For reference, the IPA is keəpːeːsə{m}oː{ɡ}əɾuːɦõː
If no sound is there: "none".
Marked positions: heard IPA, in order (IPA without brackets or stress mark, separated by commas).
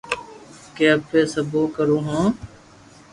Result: b, k